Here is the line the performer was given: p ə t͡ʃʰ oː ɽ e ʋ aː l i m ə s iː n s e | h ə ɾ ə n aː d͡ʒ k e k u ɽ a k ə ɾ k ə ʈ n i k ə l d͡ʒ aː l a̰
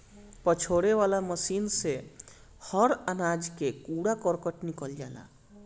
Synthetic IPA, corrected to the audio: p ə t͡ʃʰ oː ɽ e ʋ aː l a m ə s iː n s e | h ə ɾ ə n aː d͡ʒ k e k u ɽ a k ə ɾ k ə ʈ n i k ə l d͡ʒ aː l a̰